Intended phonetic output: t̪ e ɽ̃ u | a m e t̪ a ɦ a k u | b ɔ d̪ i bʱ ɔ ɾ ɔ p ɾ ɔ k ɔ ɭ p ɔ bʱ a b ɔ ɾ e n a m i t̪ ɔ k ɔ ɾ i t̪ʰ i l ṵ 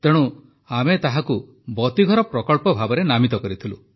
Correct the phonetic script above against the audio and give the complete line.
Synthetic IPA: t̪ e ɽ̃ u | a m e t̪ a ɦ a k u | b ɔ t̪ i ɡʱ ɔ ɾ ɔ p ɾ ɔ k ɔ ɭ p ɔ bʱ a b ɔ ɾ e n a m i t̪ ɔ k ɔ ɾ i t̪ʰ i l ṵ

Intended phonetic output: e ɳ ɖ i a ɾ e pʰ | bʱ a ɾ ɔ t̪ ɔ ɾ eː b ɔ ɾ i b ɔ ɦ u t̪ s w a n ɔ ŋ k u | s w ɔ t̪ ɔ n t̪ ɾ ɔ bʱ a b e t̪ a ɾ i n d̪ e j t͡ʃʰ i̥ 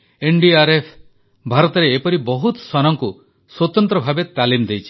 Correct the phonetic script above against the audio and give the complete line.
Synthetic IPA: e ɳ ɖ i a ɾ e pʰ | bʱ a ɾ ɔ t̪ ɔ ɾ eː p ɔ ɾ i b ɔ ɦ u t̪ s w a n ɔ ŋ k u | s w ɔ t̪ ɔ n t̪ ɾ ɔ bʱ a b e t̪ a l i m d̪ e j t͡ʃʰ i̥

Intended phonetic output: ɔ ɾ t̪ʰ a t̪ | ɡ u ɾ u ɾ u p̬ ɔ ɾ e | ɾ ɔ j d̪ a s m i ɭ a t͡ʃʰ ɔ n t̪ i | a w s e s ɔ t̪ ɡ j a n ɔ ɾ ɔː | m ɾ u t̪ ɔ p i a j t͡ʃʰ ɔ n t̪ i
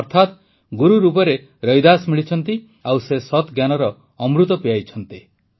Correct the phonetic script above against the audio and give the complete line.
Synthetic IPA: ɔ ɾ t̪ʰ a t̪ | ɡ u ɾ u ɾ u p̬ ɔ ɾ e | ɾ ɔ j d̪ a s m i ɭ i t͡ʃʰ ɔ n t̪ i | a w s e s ɔ t̪ ɡ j a n ɔ ɾ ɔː | m ɾ u t̪ ɔ p i a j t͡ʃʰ ɔ n t̪ i

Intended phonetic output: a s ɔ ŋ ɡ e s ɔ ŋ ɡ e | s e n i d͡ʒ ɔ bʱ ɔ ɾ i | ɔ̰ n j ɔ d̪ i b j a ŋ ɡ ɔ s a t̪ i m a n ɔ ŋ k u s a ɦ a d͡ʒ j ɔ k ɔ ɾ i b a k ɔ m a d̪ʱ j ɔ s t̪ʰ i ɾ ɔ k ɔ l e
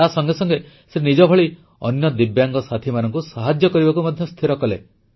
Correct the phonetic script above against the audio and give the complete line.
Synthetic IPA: a s ɔ ŋ ɡ e s ɔ ŋ ɡ e | s e n i d͡ʒ ɔ bʱ ɔ ɭ i | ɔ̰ n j ɔ d̪ i b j a ŋ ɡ ɔ s a t̪ʰ i m a n ɔ ŋ k u s a ɦ a d͡ʒ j ɔ k ɔ ɾ i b a k u m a d̪ʱ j ɔ s t̪ʰ i ɾ ɔ k ɔ l e

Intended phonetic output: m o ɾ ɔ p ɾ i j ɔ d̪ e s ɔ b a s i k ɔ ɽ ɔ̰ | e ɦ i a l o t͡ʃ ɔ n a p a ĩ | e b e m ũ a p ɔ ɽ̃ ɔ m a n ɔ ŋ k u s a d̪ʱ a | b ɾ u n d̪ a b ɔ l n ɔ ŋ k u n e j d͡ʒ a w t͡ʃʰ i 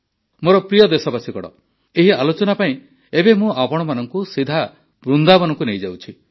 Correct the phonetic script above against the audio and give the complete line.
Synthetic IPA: m o ɾ ɔ p ɾ i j ɔ d̪ e s ɔ b a s i k ɔ ɽ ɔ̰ | e ɦ i a l o t͡ʃ ɔ n a p a ĩ | e b e m ũ a p ɔ ɽ̃ ɔ m a n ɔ ŋ k u s i d̪ʱ a | b ɾ u n d̪ a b ɔ n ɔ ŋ k u n e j d͡ʒ a w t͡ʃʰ i

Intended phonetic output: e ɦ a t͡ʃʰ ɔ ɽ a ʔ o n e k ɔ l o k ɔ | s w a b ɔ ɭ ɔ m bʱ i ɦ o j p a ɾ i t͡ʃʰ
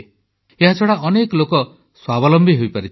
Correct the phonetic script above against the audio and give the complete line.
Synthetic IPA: e ɦ a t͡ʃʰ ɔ ɽ a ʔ ɔ n e k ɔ l o k ɔ | s w a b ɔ l ɔ m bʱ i ɦ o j p a ɾ i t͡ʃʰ

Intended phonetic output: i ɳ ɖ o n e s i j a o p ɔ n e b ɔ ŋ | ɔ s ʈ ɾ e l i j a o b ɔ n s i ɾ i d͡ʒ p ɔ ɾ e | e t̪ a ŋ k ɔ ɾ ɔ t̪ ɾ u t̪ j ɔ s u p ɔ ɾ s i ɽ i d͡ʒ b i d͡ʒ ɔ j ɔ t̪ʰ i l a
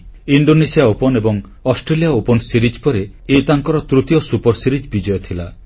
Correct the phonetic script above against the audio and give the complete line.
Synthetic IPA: i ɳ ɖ o n e s i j a o p ɔ n e b ɔ ŋ | ɔ s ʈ ɾ e l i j a o p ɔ n s i ɾ i d͡ʒ p ɔ ɾ e | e t̪ a ŋ k ɔ ɾ ɔ t̪ ɾ u t̪ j ɔ s u p ɔ ɾ s i ɾ i d͡ʒ b i d͡ʒ ɔ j ɔ t̪ʰ i l a

